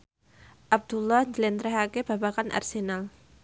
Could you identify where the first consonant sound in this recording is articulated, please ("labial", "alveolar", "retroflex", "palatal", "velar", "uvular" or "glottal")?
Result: glottal